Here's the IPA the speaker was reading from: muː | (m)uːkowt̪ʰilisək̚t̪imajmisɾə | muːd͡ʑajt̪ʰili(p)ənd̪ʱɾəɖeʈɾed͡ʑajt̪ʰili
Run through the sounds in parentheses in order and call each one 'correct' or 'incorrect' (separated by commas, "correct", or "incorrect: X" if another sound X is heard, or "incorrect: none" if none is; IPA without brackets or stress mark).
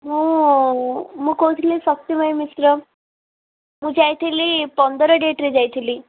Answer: correct, correct